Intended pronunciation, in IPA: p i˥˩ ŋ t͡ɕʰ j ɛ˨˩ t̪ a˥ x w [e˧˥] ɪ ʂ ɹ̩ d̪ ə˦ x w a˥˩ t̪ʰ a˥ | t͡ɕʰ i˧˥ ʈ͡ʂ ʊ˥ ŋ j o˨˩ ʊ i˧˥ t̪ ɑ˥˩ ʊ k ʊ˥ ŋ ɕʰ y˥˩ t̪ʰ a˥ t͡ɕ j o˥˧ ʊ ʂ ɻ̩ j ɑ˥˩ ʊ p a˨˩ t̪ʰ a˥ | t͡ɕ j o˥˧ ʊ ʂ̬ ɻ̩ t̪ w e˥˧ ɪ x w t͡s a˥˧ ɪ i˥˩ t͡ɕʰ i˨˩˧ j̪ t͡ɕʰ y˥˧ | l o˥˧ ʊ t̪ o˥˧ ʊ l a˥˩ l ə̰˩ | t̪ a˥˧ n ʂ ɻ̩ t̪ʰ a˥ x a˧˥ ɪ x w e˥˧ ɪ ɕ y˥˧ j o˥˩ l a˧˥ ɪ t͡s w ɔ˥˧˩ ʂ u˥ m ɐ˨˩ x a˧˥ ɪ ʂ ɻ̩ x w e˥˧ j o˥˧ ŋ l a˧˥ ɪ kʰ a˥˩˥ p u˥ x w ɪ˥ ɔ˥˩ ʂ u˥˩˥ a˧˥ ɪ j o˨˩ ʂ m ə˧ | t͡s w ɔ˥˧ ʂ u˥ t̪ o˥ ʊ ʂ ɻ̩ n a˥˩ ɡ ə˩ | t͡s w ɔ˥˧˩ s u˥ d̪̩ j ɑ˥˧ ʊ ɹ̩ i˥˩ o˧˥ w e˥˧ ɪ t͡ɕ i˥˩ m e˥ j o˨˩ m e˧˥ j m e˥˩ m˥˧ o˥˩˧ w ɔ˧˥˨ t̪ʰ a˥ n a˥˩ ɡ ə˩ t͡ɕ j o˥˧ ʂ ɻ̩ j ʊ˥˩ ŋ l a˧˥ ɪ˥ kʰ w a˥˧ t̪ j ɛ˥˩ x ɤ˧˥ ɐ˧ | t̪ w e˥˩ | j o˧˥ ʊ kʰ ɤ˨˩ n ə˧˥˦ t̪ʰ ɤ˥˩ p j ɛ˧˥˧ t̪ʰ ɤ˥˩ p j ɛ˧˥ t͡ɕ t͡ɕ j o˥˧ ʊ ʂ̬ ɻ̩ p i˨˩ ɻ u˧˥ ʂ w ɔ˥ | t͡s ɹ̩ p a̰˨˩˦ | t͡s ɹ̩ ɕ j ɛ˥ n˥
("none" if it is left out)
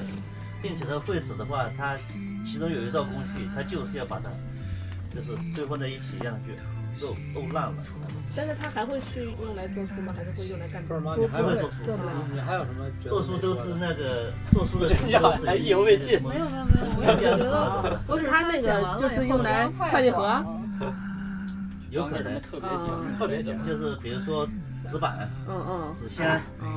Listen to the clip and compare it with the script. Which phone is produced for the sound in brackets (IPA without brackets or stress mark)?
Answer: e˥˩